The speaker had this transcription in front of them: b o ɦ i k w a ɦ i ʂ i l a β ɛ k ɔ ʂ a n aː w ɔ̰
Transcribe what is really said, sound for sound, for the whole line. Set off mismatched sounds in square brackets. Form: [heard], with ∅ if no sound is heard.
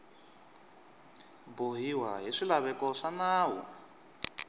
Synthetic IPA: b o ɦ i [∅] w a ɦ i ʂ i l a β ɛ k ɔ ʂ a n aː w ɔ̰